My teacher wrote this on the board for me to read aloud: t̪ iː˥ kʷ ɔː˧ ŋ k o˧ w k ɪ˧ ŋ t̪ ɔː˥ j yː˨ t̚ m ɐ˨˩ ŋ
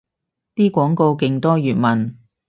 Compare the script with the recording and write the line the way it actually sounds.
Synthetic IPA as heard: t̪ iː˥ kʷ ɔː˨˥ ŋ k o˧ w k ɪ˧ ŋ t̪ ɔː˥ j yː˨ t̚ m ɐ˨˩ n